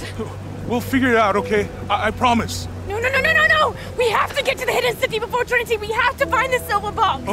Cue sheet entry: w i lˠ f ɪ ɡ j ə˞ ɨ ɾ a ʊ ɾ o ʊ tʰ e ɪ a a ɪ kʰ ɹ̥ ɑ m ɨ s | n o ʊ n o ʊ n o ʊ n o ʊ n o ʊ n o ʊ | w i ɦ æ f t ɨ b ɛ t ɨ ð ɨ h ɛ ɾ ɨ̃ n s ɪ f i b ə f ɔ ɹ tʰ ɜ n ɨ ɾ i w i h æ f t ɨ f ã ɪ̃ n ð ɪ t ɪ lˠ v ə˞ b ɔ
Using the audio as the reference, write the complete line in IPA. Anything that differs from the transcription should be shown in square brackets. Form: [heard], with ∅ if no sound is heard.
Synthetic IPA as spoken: w i lˠ f ɪ ɡ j ə˞ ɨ ɾ a ʊ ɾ o ʊ [kʰ] e ɪ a a ɪ [pʰ] ɹ̥ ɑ m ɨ s | n o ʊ n o ʊ n o ʊ n o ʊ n o ʊ n o ʊ | w i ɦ æ f t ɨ [ɡ] ɛ t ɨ ð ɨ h ɛ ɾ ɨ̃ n s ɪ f i b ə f ɔ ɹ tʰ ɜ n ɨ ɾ i w i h æ f t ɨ f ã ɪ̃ n ð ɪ [s] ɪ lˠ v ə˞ b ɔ